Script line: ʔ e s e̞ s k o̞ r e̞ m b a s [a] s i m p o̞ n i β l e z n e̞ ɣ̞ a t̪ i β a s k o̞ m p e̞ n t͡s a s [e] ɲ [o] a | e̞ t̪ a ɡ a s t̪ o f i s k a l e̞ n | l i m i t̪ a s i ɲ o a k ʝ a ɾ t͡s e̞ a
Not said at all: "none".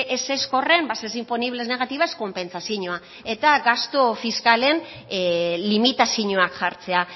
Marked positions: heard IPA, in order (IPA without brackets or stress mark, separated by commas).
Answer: e, i, o